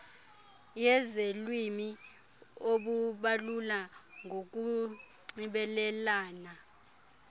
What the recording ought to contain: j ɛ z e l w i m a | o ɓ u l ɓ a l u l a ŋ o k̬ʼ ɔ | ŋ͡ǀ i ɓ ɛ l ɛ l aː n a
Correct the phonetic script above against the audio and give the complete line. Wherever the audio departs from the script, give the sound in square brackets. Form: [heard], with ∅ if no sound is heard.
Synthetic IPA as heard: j ɛ z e l w i m [i] | o ɓ u [∅] ɓ a l u l a ŋ o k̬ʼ [u] | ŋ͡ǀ i ɓ ɛ l ɛ l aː n a